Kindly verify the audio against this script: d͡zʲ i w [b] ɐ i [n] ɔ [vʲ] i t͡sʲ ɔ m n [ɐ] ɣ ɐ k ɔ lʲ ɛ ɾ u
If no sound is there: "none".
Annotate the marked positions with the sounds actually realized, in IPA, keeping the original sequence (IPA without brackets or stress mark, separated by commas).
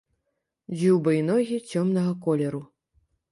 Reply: b, n, ɣʲ, ɐ